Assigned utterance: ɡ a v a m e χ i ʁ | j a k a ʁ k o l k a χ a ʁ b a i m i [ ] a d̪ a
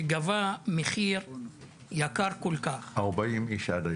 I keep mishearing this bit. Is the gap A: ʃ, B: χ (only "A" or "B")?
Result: A